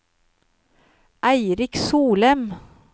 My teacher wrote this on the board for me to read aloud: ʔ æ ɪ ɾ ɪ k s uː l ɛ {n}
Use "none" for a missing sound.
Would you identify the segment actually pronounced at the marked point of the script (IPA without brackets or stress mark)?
m